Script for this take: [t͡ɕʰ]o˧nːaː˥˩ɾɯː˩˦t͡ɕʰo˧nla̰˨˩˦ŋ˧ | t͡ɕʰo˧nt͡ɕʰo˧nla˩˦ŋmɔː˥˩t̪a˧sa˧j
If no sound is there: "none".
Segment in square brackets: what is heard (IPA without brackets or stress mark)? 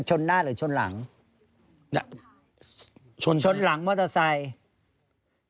t͡ɕʰ